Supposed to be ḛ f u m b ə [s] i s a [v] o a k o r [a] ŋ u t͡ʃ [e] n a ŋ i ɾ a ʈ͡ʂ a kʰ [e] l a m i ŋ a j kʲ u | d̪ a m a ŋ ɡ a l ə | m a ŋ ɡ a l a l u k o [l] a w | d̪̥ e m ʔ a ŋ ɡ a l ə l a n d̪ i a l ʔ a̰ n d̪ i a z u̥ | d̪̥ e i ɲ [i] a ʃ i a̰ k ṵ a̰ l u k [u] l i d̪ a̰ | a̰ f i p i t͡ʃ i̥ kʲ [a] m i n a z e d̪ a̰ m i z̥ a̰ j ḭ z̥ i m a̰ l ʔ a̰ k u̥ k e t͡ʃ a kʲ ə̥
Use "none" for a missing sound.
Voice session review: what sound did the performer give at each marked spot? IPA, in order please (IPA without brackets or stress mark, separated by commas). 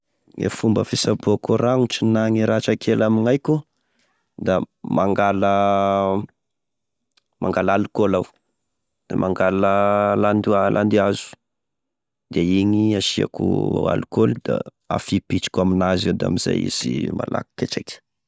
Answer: f, b, a, i, e, l, i, o, a